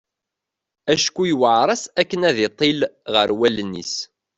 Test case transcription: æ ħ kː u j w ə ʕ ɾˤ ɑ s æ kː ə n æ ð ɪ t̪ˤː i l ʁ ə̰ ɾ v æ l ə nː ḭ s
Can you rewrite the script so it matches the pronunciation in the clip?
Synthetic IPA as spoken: æ ʃ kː u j w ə ʕ ɾˤ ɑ s æ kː ə n æ ð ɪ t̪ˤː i l ʁ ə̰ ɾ w æ l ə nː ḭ s